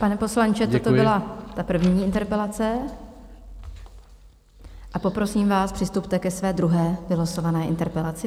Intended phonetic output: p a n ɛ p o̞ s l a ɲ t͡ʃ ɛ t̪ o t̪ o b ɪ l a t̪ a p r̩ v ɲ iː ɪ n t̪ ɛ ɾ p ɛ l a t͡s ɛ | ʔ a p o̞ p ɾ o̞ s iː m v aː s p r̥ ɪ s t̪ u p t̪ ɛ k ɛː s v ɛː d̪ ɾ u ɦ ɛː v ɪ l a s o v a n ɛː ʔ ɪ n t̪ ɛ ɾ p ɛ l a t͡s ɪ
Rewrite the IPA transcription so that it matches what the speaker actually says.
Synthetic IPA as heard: p a n ɛ p o̞ s l a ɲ t͡ʃ ɛ t̪ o t̪ o b ɪ l a t̪ a p r̩ v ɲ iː ɪ n t̪ ɛ ɾ p ɛ l a t͡s ɛ | ʔ a p o̞ p ɾ o̞ s iː m v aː s p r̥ ɪ s t̪ u p t̪ ɛ k ɛ s v ɛː d̪ ɾ u ɦ ɛː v ɪ l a s o v a n ɛː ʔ ɪ n t̪ ɛ ɾ p ɛ l a t͡s ɪ

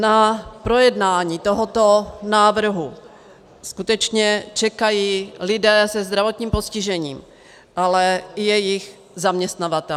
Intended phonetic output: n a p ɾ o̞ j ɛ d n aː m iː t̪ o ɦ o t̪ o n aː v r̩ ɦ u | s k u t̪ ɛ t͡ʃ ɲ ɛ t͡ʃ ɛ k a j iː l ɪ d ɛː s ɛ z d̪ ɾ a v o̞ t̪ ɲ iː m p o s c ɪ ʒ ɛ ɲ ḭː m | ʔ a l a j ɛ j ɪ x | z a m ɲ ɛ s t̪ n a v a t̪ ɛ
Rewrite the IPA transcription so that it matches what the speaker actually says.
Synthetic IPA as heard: n a p ɾ o̞ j ɛ d n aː ɲ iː t̪ o ɦ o t̪ o n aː v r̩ ɦ u | s k u t̪ ɛ t͡ʃ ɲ ɛ t͡ʃ ɛ k a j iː l ɪ d ɛː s ɛ z d̪ ɾ a v o̞ t̪ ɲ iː m p o s c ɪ ʒ ɛ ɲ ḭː m | ʔ a l ɛ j ɛ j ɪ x | z a m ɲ ɛ s t̪ n a v a t̪ ɛ

